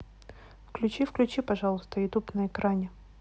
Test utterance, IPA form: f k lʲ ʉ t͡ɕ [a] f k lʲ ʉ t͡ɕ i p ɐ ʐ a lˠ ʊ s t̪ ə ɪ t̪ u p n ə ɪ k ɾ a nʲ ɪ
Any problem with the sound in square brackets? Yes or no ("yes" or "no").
yes